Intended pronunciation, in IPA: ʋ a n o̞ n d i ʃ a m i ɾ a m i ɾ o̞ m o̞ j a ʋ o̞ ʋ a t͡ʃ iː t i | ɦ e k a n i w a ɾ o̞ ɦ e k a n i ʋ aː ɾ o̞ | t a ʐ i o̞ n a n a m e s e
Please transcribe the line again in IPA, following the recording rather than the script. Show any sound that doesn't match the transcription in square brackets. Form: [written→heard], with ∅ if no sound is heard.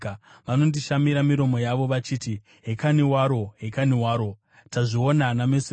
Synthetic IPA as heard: ʋ a n o̞ n d i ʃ a m i ɾ a m i ɾ o̞ m o̞ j a ʋ o̞ ʋ a t͡ʃ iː t i | ɦ e k a n i w a ɾ o̞ ɦ e k a n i [ʋ→w] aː ɾ o̞ | t a ʐ i o̞ n a n a m e s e

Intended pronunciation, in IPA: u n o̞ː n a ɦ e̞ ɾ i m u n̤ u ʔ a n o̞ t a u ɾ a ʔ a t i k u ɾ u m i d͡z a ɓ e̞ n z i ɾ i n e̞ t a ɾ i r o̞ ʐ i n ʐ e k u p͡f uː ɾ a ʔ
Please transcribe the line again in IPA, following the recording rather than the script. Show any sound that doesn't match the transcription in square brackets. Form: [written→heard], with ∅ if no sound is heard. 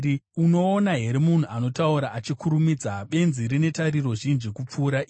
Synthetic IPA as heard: u n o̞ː n a ɦ e̞ ɾ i m u n̤ u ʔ a n o̞ t a u ɾ a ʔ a [t→t͡ʃ] i k u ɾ u m i d͡z a ɓ e̞ n z i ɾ i n e̞ t a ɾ i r o̞ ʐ i n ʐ [e→i] k u p͡f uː ɾ a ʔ

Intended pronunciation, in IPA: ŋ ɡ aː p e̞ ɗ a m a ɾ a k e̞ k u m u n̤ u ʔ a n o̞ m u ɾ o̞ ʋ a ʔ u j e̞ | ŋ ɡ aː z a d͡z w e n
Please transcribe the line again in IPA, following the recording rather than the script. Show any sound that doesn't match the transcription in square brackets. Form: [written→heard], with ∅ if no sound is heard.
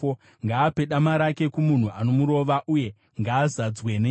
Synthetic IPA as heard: ŋ ɡ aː p e̞ ɗ a m a ɾ a k e̞ k u m u n̤ u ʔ a n o̞ m u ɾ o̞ ʋ a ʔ u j e̞ | ŋ ɡ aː z a d͡z w e n

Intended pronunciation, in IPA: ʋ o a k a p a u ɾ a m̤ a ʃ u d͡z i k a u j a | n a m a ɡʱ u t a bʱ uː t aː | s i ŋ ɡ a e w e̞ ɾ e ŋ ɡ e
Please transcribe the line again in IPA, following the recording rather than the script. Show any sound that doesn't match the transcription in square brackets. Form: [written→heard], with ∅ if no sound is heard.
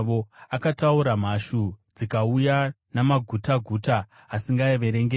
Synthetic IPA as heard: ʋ o a k a [p→t] a u ɾ a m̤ a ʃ u d͡z i k a u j a | n a m a ɡʱ u t a [bʱ→ɡʱ] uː t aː | s i ŋ ɡ a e [w→ʋ] e̞ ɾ e ŋ ɡ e

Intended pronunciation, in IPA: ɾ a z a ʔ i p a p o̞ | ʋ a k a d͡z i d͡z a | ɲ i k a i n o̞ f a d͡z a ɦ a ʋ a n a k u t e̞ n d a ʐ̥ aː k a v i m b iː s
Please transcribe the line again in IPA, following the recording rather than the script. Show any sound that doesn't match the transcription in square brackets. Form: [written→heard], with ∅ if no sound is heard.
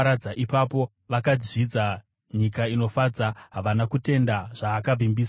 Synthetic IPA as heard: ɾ a [z→d͡z] a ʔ i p a p o̞ | ʋ a k a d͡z i d͡z a | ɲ i k a i n o̞ f a d͡z a ɦ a ʋ a n a k u t e̞ n d a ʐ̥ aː k a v i m b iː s

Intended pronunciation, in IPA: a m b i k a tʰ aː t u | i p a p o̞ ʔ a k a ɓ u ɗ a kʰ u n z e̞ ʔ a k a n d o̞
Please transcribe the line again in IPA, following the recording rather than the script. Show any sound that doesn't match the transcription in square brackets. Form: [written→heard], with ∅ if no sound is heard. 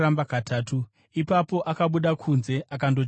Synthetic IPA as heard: a m b [i→a] k a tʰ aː t u | i p a p o̞ ʔ a k a ɓ u ɗ a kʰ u n z e̞ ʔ a k a n d o̞

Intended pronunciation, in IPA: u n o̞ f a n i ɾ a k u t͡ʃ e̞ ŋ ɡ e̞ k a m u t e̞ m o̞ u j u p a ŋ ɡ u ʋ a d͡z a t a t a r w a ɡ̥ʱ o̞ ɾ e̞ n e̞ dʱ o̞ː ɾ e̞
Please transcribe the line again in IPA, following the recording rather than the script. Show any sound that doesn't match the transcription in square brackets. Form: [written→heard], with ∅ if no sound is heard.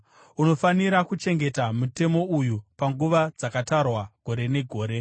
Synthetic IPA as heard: u n o̞ f a n i ɾ a k u t͡ʃ e̞ ŋ ɡ e̞ [k→t] a m u t e̞ m o̞ u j u p a ŋ ɡ u ʋ a d͡z a [t→k] a t a r w a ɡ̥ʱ o̞ ɾ e̞ n e̞ [dʱ→ɡʱ] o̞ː ɾ e̞

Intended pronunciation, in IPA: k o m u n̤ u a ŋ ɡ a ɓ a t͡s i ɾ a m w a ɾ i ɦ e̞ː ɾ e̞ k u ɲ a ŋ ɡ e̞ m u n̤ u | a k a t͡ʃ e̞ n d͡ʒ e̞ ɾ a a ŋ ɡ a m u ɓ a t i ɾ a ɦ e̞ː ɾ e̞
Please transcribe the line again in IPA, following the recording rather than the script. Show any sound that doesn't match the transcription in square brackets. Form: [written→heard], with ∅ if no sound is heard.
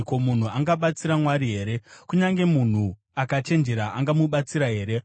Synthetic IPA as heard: k o m u n̤ u a ŋ ɡ a ɓ a t͡s i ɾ a m w a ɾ i ɦ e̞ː ɾ e̞ k u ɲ a ŋ ɡ e̞ m u n̤ u | a k a t͡ʃ e̞ n d͡ʒ e̞ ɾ a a ŋ ɡ a m u ɓ a [t→t͡s] i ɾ a ɦ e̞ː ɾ e̞

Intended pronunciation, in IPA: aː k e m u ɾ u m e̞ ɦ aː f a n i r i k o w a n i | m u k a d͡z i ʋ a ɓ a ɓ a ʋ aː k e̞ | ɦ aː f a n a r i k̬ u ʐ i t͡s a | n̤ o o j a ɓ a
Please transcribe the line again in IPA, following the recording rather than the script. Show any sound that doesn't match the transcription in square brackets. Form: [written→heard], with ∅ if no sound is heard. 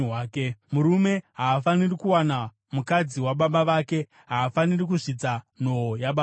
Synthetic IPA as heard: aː k e m u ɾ u m e̞ ɦ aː f a n i r i k [o→u] w a n [i→a] | m u k a d͡z i [ʋ→w] a ɓ a ɓ a ʋ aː k e̞ | ɦ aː f a n [a→i] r i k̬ u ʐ i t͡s a | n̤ o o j a ɓ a

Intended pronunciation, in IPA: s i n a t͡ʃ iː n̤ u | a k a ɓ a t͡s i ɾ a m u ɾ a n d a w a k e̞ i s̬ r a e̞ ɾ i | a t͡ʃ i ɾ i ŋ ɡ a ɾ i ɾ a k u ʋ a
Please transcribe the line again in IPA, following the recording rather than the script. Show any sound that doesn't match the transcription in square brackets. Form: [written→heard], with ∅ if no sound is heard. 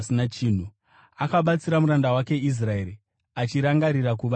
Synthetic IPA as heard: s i n a t͡ʃ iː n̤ u | a k a ɓ a t͡s i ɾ a m u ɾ a n d a w a k e̞ i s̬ r a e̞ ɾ i | a t͡ʃ i ɾ [i→a] ŋ ɡ a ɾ i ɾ a k u ʋ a

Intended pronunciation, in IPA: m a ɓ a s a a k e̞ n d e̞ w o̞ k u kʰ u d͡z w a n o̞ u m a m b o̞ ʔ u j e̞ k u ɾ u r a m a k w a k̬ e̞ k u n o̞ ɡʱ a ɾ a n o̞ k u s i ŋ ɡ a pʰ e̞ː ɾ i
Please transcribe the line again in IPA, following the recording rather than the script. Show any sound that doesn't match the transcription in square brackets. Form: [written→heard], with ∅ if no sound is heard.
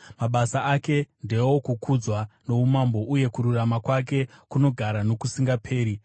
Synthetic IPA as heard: m a ɓ a s a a k e̞ n d e̞ w o̞ k u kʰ u d͡z w a n o̞ u m a m b o̞ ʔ u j e̞ k u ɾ u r a m a k w a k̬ e̞ k u n o̞ ɡʱ a ɾ a n o̞ k u s i ŋ ɡ a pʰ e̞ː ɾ i

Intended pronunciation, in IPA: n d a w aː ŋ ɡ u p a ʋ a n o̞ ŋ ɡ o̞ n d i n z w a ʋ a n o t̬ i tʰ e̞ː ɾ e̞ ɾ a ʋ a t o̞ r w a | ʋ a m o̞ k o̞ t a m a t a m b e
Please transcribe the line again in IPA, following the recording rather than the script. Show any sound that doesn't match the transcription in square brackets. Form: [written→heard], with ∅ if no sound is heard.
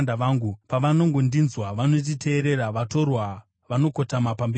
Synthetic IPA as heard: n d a [w→ʋ] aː ŋ ɡ u p a ʋ a n o̞ ŋ ɡ o̞ n d i n z w a ʋ a n o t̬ i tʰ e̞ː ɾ e̞ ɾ a ʋ a t o̞ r w a | ʋ a [m→n] o̞ k o̞ t a m a [t→p] a m b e

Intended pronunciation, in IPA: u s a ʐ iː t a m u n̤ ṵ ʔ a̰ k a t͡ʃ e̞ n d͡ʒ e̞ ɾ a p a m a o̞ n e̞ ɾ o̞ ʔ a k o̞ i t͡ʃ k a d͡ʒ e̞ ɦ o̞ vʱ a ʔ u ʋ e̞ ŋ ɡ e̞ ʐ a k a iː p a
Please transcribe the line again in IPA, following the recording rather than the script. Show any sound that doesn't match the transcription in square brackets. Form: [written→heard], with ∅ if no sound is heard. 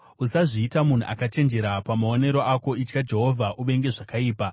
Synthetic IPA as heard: u s a ʐ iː t a m u n̤ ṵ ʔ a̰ k a t͡ʃ e̞ n d͡ʒ e̞ ɾ a p a m a o̞ n e̞ ɾ o̞ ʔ a k o̞ i t͡ʃ k a d͡ʒ e̞ ɦ o̞ vʱ a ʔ u ʋ e̞ ŋ ɡ e̞ ʐ a k a iː p a

